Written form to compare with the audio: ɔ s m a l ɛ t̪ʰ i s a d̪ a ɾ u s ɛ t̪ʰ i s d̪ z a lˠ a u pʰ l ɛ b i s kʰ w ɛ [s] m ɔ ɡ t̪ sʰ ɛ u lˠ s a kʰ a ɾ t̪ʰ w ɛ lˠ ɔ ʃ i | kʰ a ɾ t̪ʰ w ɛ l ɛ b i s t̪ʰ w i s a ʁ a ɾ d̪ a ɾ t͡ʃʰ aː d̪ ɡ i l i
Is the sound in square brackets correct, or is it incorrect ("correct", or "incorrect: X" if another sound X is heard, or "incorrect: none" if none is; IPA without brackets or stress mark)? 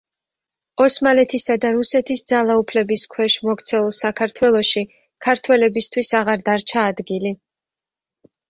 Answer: incorrect: ʃ